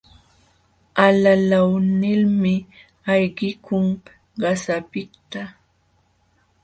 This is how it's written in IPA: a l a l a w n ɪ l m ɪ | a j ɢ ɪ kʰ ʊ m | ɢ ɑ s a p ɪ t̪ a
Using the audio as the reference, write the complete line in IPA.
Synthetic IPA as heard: a l a l a w n ɪ l m ɪ | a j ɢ ɪ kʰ ʊ ŋ | ɢ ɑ s a p ɪ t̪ a